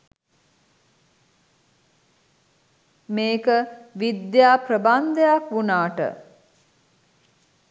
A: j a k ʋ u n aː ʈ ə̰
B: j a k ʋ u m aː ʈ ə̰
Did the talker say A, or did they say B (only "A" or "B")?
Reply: A